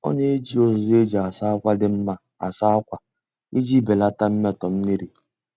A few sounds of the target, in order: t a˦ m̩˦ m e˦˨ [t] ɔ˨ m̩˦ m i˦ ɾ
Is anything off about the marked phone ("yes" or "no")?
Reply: no